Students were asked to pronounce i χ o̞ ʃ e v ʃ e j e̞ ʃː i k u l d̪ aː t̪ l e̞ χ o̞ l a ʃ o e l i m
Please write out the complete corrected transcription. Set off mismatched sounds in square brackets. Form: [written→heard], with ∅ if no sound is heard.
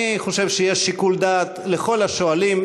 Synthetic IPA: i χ o̞ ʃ e v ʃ e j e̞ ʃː i k u l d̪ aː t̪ l e̞ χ o̞ l a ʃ o [e→a] l i m

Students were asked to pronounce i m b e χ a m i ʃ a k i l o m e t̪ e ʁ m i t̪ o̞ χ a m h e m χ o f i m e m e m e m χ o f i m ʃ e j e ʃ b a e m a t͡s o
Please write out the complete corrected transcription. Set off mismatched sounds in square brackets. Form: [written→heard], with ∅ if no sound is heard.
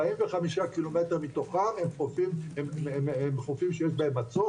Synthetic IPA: i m [b→v] e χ a m i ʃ a k i l o m e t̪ e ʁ m i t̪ o̞ χ a m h e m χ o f i m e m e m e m χ o f i m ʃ e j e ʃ b a e m a t͡s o

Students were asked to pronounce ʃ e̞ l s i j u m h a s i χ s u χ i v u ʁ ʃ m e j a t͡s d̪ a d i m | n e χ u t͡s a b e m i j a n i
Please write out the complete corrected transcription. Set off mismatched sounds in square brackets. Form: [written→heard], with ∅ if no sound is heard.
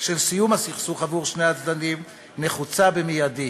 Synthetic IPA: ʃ e̞ l s i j u m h a s i χ s u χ [i→a] v u ʁ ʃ [m→n] e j a t͡s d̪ a [d→n] i m | n e χ u t͡s a b e m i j a [n→d] i

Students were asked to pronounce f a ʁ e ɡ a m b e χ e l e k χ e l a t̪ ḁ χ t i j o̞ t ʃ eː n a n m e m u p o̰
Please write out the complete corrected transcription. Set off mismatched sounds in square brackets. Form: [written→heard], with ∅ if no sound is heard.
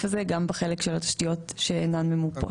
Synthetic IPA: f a [ʁ→z] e ɡ a m b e χ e l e k [χ→ʃ] e l a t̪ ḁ [χ→ʃ] t i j o̞ t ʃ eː n a n m e m u p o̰

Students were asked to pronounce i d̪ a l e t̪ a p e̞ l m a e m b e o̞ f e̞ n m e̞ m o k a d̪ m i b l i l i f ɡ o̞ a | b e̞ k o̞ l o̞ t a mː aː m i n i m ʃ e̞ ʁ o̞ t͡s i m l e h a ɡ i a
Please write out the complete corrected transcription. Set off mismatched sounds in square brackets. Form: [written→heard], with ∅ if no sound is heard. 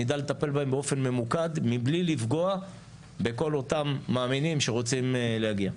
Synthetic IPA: i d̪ a l e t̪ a p e̞ l [m→b] a e m b e o̞ f e̞ n m e̞ m [o→u] k a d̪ m i b l i l i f ɡ o̞ a | b e̞ k o̞ l o̞ t a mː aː m i n i m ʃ e̞ ʁ o̞ t͡s i m l e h a ɡ i a

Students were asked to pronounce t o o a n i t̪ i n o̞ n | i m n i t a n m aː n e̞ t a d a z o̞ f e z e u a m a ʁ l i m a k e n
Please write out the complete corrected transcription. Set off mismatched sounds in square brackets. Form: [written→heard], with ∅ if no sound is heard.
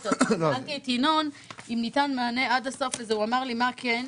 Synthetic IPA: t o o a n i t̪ i n o̞ n | i m n i t a n m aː n e̞ [t→∅] a d a [z→s] o̞ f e z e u a m a ʁ l i m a k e n

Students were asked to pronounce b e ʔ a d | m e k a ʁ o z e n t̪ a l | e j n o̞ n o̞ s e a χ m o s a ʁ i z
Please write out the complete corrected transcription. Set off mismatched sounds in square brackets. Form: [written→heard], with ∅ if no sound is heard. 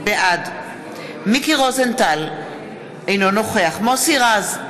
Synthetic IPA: b e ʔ a d | m [e→i] k [a→i] ʁ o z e n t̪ a l | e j n o̞ n o̞ [s→χ] e a χ m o s [a→i] ʁ [i→a] z

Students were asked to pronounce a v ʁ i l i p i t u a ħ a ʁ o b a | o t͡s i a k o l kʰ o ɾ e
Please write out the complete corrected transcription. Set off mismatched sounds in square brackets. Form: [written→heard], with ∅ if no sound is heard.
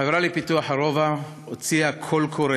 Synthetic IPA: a v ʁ [i→a] l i p i t u a ħ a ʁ o [b→v] a | o t͡s i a [k→kʰ] o l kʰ o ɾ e

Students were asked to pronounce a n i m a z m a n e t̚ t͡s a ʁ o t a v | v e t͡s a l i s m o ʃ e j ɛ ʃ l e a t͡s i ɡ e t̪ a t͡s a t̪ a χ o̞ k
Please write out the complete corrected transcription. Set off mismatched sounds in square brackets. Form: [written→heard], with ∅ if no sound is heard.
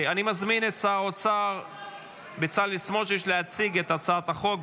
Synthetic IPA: a n i m a z m [a→i] n e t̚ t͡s a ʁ o [t→t͡s] a [v→ʁ] | [v→b] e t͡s a l i s m o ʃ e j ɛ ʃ l e a t͡s i ɡ e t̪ a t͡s a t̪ a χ o̞ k

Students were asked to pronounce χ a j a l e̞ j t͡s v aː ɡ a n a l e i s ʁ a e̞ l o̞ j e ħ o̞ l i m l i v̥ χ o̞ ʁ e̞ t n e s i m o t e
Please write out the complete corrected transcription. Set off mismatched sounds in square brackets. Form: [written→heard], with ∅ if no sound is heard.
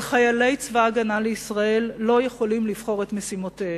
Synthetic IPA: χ a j a l e̞ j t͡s v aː ɡ a n a l e i s ʁ a e̞ [l→lː] o̞ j e [ħ→χ] o̞ l i m l i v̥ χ o̞ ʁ e̞ t [n→m] e s i m o t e

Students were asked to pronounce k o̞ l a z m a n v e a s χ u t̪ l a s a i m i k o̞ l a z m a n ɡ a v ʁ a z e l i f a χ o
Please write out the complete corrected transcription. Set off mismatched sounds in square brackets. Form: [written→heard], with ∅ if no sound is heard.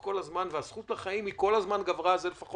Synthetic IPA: k o̞ l a z m a n v e a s χ u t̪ l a [s→χ] a i m i k o̞ l a z m a n ɡ a v ʁ a z e l [i→e] f a χ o

